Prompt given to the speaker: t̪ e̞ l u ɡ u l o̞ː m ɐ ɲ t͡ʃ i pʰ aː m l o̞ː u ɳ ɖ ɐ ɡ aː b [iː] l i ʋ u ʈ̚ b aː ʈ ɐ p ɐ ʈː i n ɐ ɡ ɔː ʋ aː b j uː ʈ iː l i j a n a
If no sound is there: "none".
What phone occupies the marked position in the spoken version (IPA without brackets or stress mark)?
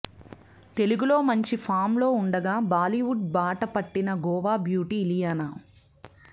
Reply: aː